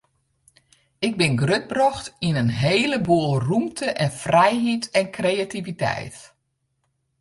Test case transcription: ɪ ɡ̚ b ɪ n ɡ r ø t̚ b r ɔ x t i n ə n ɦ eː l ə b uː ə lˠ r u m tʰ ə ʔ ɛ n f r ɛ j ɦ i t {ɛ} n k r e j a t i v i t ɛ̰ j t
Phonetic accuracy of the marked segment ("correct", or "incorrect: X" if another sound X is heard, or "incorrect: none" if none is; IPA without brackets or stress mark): correct